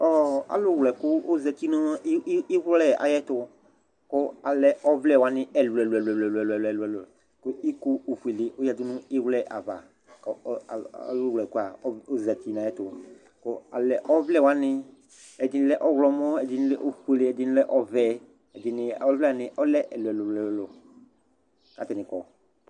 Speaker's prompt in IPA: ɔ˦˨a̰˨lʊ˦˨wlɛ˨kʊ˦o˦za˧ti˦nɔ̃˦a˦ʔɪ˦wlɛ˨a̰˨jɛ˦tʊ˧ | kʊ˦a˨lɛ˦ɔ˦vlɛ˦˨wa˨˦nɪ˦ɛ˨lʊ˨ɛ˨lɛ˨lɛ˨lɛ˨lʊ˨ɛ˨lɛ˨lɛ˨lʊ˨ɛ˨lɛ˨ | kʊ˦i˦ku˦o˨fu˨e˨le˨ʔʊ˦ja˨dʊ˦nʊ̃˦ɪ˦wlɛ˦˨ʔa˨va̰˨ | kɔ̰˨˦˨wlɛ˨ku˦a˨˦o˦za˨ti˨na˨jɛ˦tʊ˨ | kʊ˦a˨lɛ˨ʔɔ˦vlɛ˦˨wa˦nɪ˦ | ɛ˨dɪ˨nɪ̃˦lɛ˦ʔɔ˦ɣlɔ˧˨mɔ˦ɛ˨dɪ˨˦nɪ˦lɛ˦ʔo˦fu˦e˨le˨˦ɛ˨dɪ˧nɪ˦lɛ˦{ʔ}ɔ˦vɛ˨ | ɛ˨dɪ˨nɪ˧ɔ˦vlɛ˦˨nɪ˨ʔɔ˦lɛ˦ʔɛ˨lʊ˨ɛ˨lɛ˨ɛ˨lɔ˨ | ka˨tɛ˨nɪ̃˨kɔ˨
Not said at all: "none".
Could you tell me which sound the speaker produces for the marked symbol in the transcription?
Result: ʔ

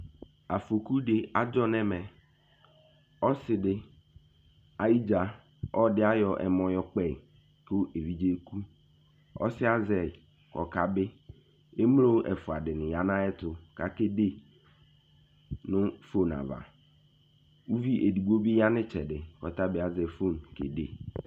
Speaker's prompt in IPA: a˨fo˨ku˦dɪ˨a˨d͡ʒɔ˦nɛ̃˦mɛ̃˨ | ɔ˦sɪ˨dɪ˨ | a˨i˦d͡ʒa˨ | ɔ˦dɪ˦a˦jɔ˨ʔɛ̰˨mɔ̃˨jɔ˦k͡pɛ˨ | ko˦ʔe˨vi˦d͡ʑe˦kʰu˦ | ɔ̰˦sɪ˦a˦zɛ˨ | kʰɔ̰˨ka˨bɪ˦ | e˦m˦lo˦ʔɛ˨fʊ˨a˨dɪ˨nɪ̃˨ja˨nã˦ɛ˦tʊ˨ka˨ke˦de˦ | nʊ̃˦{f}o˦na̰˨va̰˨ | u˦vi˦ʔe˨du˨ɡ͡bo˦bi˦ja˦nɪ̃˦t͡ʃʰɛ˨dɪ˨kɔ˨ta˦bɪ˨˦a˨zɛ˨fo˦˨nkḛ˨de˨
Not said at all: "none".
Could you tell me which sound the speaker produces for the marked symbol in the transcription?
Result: f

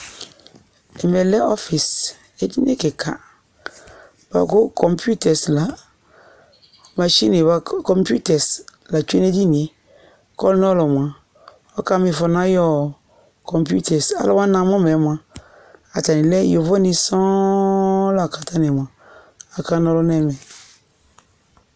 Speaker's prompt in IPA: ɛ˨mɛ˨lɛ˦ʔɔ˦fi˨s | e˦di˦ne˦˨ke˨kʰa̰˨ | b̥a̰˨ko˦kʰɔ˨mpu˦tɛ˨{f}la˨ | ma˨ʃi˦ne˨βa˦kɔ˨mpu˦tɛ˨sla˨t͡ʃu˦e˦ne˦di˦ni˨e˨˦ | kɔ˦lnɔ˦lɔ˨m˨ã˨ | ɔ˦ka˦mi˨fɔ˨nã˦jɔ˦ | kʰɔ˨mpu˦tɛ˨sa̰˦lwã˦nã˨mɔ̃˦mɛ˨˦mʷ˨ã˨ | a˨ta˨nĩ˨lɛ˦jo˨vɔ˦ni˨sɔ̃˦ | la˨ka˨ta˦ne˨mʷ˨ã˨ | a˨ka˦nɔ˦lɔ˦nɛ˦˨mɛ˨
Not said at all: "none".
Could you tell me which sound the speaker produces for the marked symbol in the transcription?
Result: s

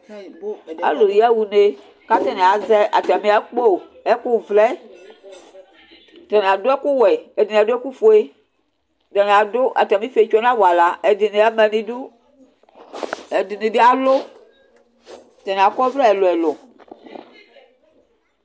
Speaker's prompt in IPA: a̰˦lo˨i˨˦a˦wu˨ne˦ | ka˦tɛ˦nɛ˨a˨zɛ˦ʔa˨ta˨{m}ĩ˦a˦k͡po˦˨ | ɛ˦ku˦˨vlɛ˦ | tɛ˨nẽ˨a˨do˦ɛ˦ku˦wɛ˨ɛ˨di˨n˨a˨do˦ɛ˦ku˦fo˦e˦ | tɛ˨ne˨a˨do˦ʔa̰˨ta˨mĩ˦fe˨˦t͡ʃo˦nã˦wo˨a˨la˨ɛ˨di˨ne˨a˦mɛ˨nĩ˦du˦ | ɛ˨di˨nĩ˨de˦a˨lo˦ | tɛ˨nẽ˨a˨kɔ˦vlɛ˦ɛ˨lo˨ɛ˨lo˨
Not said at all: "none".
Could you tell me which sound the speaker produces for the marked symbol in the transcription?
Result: m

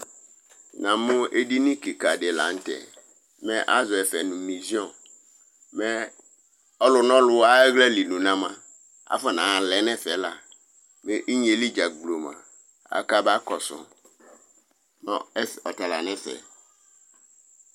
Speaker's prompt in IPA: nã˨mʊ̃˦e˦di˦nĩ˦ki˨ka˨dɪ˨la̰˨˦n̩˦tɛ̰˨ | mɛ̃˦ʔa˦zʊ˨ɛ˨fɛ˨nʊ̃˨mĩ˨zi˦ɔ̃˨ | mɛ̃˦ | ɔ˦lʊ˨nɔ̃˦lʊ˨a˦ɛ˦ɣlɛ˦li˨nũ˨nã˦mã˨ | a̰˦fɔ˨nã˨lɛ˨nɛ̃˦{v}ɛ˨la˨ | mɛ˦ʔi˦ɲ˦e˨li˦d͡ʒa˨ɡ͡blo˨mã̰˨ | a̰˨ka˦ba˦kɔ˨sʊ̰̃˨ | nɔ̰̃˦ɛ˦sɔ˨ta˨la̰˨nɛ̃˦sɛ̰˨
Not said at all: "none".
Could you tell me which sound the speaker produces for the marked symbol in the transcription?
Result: f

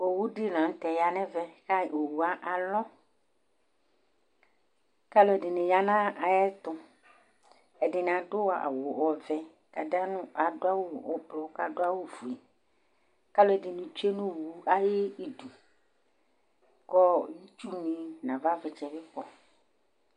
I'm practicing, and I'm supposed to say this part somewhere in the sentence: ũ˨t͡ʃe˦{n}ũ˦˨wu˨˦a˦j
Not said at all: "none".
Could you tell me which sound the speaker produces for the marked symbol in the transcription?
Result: n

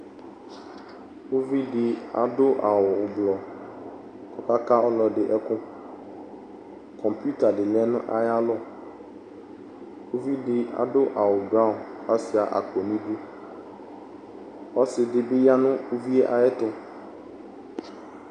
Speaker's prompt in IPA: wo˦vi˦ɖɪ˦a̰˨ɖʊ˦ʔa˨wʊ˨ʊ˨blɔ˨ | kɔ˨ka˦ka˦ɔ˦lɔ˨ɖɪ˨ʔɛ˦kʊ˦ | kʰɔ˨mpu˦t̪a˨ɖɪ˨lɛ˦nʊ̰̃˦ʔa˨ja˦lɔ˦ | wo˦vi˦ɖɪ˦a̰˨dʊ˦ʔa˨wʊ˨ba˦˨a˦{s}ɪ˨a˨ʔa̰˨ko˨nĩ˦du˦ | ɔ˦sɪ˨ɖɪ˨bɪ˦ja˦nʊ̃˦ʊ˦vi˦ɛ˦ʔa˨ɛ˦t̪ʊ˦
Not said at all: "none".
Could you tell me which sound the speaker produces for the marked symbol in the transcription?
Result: s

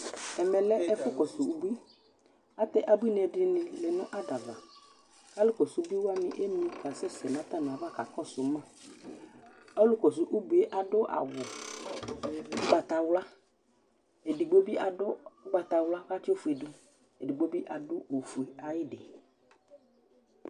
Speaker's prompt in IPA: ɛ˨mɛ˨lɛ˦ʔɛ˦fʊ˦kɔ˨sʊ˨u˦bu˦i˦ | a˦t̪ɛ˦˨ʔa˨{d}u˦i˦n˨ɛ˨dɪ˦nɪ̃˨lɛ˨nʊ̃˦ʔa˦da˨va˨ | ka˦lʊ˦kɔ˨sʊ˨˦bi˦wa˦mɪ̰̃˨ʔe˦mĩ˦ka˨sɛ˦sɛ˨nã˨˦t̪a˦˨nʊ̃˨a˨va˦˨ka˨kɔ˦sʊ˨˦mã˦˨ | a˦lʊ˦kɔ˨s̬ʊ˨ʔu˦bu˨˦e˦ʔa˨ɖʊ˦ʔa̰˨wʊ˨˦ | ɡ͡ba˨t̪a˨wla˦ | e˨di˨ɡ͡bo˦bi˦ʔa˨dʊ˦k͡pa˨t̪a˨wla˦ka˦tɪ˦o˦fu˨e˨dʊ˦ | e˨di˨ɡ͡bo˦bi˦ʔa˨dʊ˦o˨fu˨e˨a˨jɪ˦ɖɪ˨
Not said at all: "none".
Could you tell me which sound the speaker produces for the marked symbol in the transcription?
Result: b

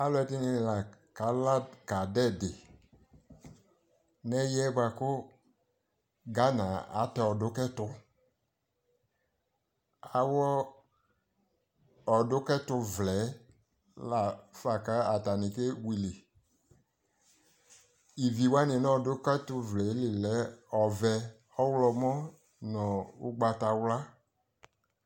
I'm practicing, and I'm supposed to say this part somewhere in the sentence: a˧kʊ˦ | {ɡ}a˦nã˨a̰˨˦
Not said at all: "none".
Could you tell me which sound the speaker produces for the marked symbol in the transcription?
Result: ɡ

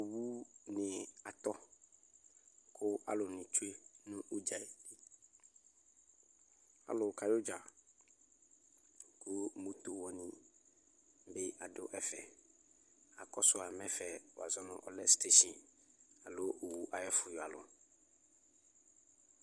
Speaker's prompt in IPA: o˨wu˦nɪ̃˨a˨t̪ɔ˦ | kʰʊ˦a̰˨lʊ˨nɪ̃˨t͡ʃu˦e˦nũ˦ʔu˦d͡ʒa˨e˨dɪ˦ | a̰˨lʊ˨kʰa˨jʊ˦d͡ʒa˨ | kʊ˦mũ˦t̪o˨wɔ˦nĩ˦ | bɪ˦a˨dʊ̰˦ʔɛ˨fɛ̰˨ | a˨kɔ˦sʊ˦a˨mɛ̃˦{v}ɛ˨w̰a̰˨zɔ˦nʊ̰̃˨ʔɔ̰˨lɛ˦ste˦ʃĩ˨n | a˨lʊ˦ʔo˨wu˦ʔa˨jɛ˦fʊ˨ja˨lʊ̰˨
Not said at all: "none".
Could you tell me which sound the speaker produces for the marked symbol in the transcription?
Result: f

